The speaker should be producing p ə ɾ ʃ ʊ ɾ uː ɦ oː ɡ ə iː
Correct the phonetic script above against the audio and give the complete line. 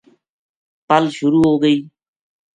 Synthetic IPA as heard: p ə l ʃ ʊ ɾ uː ɦ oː ɡ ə iː